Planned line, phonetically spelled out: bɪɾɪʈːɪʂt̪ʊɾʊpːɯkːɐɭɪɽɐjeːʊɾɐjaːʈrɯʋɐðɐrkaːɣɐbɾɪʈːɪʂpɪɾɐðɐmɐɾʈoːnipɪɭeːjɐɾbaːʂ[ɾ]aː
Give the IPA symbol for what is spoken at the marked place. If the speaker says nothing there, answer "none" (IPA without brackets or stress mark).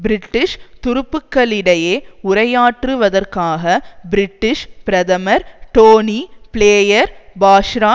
ɾ